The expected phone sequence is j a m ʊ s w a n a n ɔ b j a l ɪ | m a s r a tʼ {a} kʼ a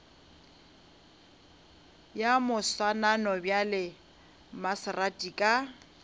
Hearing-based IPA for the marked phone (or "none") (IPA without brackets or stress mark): i